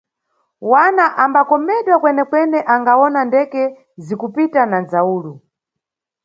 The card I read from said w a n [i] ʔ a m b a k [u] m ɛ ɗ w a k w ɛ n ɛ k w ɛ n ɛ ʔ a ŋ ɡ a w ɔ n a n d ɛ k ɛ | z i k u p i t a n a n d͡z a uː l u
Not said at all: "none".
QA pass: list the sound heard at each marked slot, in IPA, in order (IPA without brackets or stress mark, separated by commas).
a, ɔ